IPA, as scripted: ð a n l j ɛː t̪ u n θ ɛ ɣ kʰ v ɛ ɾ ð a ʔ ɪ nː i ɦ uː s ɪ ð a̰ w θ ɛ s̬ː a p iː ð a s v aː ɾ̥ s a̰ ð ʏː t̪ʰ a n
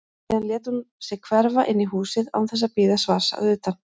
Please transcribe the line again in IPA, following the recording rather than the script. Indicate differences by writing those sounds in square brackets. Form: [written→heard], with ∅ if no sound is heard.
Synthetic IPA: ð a n l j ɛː t̪ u n [θ→s] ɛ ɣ kʰ v ɛ ɾ [ð→v] a ʔ ɪ nː i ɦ uː s ɪ ð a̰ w θ ɛ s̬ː a p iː ð a s v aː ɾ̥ s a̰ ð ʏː [t̪ʰ→t̪] a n